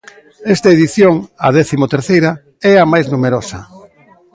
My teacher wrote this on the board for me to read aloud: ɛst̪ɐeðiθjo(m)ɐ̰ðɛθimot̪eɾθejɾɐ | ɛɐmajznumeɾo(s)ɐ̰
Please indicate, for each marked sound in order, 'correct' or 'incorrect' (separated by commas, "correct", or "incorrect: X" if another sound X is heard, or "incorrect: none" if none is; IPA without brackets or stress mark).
incorrect: ŋ, correct